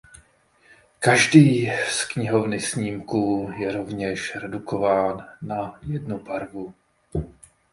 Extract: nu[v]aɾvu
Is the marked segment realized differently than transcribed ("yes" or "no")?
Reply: yes